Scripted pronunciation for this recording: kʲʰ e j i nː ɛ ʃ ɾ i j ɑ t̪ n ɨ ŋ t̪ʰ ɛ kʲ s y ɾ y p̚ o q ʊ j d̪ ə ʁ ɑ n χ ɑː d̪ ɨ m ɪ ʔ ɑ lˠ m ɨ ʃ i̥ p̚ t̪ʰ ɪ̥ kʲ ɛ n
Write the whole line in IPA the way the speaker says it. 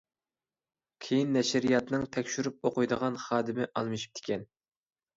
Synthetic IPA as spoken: kʲʰ e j i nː ɛ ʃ ɾ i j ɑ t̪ n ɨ ŋ t̪ʰ ɛ kʲ ʃ y ɾ y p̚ o q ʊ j d̪ ə ʁ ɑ n χ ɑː d̪ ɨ m ɪ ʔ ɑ lˠ m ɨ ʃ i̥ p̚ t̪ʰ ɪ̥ kʲ ɛ n